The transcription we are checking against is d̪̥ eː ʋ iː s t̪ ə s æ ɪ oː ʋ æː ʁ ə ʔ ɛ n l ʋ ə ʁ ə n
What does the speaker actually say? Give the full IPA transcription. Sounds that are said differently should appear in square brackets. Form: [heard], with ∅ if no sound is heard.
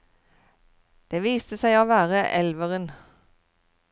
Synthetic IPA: d̪̥ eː ʋ iː s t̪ ə s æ ɪ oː ʋ æː ʁ ə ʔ ɛ [∅] l ʋ ə ʁ ə n